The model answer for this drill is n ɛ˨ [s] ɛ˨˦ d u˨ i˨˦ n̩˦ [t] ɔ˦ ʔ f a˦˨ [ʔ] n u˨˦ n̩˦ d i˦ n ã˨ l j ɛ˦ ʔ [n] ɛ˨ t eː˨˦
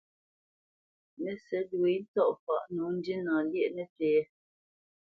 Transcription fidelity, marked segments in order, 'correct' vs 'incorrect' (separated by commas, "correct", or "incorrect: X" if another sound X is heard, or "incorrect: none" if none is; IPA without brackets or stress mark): correct, correct, correct, correct